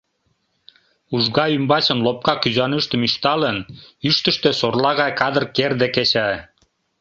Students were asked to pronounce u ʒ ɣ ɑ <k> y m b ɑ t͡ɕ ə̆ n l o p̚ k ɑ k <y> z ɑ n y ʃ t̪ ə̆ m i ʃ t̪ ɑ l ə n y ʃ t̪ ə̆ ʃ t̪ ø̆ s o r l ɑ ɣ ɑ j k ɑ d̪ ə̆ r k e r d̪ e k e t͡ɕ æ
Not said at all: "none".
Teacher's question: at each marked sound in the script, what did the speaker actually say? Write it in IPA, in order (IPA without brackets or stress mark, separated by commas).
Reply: none, y